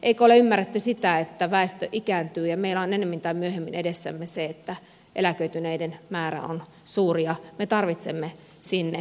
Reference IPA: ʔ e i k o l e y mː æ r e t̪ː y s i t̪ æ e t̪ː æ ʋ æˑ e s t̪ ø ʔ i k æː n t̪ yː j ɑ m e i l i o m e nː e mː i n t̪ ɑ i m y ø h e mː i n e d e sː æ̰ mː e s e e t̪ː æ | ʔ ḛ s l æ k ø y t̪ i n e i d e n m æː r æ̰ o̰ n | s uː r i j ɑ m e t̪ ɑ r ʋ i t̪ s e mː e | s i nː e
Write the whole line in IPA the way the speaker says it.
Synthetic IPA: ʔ e i k o l e y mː æ r e t̪ː y s i t̪ æ e t̪ː æ ʋ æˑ e s t̪ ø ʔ i k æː n t̪ yː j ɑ m e i l æ o n e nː e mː i n t̪ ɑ i m y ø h e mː i n e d e sː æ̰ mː e s e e t̪ː æ | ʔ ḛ l æ k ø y t̪ y n e i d e n m æː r æ̰ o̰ n | s uː r i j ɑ m e t̪ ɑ r ʋ i t̪ s e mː e | s i nː e

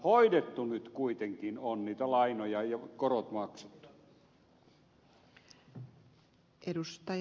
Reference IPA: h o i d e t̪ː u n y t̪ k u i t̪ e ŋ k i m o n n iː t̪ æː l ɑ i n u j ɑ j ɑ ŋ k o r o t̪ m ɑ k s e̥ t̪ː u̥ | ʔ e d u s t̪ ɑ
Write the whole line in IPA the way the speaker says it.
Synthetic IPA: h o i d e t̪ː u n y t̪ k u i t̪ e ŋ k i n o n n iː t̪ æ l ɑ i n o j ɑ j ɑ k o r o t̪ m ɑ k s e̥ t̪ː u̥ | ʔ e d u s t̪ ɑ

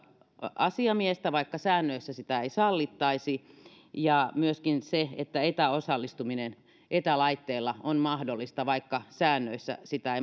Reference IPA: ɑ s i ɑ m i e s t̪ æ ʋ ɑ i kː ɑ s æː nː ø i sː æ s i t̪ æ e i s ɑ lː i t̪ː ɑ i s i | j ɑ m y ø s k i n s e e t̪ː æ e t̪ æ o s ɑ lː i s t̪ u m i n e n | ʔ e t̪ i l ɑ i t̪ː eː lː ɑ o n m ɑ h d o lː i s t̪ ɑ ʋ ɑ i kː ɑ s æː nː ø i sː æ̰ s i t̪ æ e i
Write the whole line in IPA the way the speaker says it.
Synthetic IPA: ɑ s i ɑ m i e s t̪ æ ʋ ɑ i kː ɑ s æː nː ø i sː æ s i t̪ æ e i s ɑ lː i t̪ː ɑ i s i | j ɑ m y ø s k i n s e e t̪ː æ e t̪ æ o s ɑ lː i s t̪ u m i n e n | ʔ e t̪ æ l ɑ i t̪ː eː lː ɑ o n m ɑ h d o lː i s t̪ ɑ ʋ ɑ i kː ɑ s æː nː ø i sː æ̰ s i t̪ æ e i

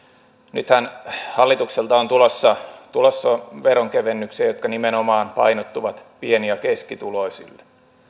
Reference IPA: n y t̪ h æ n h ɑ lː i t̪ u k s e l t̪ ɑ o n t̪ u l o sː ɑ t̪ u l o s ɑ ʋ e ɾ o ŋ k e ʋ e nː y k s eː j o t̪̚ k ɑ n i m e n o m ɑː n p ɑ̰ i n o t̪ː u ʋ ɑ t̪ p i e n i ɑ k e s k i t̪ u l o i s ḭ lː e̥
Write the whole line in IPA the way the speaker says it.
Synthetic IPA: n y t̪ h æ n h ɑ lː i t̪ u k s e l t̪ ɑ o n t̪ u l o sː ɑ t̪ u l o sː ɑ ʋ e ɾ o ŋ k e ʋ e nː y k s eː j o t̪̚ k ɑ n i m e n o m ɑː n p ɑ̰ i n o t̪ː u ʋ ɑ t̪ p i e n i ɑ k e s k i t̪ u l o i s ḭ lː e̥

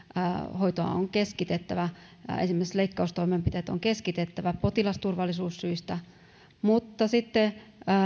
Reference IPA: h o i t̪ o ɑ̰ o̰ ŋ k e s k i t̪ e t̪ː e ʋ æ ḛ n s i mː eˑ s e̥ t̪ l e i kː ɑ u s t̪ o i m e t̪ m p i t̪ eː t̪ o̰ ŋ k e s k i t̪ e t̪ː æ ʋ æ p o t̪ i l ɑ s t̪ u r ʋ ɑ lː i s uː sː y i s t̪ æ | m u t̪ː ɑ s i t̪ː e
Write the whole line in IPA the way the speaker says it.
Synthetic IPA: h o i t̪ o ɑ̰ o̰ ŋ k e s k i t̪ e t̪ː æ ʋ æ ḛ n s i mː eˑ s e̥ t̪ l e i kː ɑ u s t̪ o i m e m p i t̪ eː t̪ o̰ ŋ k e s k i t̪ e t̪ː æ ʋ æ p o t̪ i l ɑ s t̪ u r ʋ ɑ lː i s uː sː y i s t̪ æ | m u t̪ː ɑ s i t̪ː e

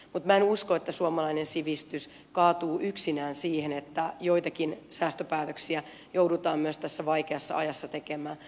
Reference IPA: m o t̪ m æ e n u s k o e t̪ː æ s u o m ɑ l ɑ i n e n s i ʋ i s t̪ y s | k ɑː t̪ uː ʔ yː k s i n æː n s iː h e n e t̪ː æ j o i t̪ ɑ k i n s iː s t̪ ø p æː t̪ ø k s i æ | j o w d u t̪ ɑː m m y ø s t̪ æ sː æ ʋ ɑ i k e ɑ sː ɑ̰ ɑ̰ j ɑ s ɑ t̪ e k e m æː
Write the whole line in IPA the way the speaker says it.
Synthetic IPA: m u t̪ m æ e n u s k o e t̪ː æ s u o m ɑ l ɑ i n e n s i ʋ i s t̪ y s | k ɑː t̪ uː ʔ y k s i n æː n s iː h e n e t̪ː æ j o i t̪ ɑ k i n s æː s t̪ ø p æː t̪ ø k s i æ | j o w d u t̪ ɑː m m y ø s t̪ æ sː æ ʋ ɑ i k e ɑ sː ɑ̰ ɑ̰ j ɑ sː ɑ t̪ e k e m æː

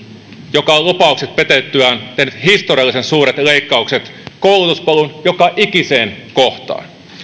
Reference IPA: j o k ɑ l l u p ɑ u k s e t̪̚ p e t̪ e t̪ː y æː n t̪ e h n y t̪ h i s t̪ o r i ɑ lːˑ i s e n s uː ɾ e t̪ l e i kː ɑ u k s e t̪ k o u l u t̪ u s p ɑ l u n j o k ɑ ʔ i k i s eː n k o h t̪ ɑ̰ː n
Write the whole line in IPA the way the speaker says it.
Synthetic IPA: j o k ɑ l l u p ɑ u k s e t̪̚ p e t̪ e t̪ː y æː n t̪ e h n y t̪ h i s t̪ o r i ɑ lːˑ i s e n s uː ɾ e t̪ l e i kː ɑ u k s e t̪ k o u l u t̪ u s p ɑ l u n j o k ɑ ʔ i k i s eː n k o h t̪ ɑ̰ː n

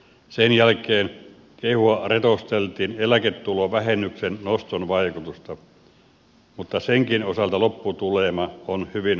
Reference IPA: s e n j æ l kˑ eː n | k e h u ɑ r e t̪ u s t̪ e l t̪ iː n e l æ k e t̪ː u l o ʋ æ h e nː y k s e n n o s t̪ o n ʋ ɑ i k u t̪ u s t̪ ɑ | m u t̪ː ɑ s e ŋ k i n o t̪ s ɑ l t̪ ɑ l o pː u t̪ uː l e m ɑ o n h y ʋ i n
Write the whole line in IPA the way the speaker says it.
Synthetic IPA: s e n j æ l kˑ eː n | k e h u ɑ r e t̪ o s t̪ e l t̪ iː n e l æ k e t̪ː u l o ʋ æ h e nː y k s e n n o s t̪ o n ʋ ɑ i k u t̪ u s t̪ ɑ | m u t̪ː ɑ s e ŋ k i n o s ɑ l t̪ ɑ l o pː u t̪ u l e m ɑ o n h y ʋ i n

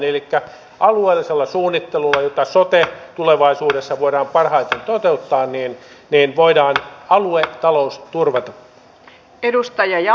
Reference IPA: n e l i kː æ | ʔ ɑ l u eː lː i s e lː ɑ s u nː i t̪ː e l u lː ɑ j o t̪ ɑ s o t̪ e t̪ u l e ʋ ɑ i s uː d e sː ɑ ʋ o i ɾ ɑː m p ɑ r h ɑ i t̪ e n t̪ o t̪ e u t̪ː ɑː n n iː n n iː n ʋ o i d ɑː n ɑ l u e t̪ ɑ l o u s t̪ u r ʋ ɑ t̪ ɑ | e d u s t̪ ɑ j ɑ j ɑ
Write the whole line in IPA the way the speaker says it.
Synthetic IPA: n e l i kː æ | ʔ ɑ l u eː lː i s e lː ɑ s uː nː i t̪ː e l u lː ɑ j o t̪ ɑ s o t̪ e t̪ u l e ʋ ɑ i s uː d e sː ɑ ʋ o i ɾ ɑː m p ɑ r h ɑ i t̪ e n t̪ o t̪ e u t̪ː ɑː n n iː n n iː n ʋ o i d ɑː n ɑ l u e t̪ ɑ l o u s t̪ u r ʋ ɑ t̪ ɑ | e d u s t̪ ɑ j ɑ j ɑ

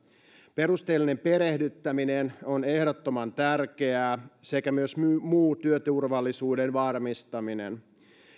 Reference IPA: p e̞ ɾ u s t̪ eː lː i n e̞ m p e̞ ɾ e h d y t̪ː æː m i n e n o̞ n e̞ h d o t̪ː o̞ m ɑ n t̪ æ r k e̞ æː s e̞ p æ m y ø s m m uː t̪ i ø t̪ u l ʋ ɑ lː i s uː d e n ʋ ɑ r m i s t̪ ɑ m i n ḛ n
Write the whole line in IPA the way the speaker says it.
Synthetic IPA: p e̞ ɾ u s t̪ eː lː i n e̞ m p e̞ ɾ e h d y t̪ː æ m i n e n o̞ n e̞ h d o t̪ː o̞ m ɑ n t̪ æ r k e̞ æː s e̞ k æ m y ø s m m uː t̪ y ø t̪ u r ʋ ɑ lː i s uː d e n ʋ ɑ r m i s t̪ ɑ m i n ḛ n

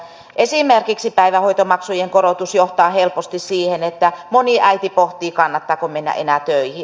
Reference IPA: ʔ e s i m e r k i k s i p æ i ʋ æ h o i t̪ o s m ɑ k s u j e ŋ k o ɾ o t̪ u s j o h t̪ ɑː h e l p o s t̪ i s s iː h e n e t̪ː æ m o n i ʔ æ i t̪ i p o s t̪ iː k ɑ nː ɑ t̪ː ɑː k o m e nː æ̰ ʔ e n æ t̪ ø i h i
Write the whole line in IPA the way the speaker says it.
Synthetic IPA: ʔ e s i m e r k i k s i p æ i ʋ æ h o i t̪ o m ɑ k s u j e ŋ k o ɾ o t̪ u s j o h t̪ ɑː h e l p o s t̪ i s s iː h e n e t̪ː æ m o n i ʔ æ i t̪ i p o h t̪ iː k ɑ nː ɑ t̪ː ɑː k o m e nː æ̰ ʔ e n æ t̪ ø i h i

